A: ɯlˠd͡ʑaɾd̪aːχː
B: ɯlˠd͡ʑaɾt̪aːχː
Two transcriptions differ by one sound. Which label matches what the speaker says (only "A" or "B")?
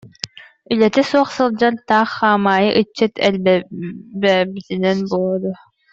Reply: B